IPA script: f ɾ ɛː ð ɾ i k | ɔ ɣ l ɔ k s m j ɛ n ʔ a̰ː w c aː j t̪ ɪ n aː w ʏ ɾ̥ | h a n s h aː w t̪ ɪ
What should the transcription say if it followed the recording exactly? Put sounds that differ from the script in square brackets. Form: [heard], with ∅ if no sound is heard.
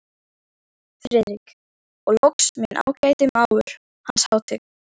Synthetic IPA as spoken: f ɾ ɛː ð ɾ i k | ɔ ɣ l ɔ k s m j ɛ n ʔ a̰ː w c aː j t̪ ɪ [m] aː w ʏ ɾ̥ | h a n s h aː w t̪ ɪ